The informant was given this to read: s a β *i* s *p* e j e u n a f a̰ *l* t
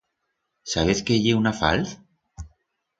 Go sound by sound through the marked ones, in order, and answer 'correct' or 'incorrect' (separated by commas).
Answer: incorrect, incorrect, correct